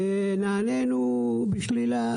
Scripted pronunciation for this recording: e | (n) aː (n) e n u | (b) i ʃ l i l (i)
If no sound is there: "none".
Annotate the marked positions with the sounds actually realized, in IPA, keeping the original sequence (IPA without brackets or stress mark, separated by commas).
n, n, b, a